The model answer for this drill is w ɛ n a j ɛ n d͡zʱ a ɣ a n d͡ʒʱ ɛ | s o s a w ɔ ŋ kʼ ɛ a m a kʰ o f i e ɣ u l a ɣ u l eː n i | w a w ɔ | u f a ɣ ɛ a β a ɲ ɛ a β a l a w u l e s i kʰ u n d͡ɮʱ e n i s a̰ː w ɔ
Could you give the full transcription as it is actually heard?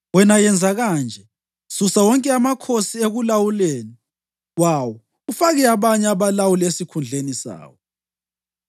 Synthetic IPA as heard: w ɛ n a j ɛ n d͡zʱ a ɣ a n d͡ʒʱ ɛ | s u s a w ɔ ŋ kʼ ɛ a m a kʰ o s i e ɣ u l a w u l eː n i | w a w ɔ | u f a ɣ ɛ a β a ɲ ɛ a β a l a w u l e s i kʰ u n d͡ɮʱ e n i s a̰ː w ɔ